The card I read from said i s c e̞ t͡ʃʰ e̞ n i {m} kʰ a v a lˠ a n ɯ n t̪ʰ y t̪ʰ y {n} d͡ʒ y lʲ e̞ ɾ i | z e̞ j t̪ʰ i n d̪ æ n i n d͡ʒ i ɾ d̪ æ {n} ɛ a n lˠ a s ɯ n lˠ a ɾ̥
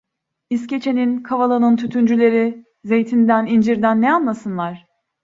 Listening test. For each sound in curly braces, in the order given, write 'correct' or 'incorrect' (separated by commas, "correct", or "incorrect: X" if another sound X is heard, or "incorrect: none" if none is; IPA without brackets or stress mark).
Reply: incorrect: n, correct, incorrect: nː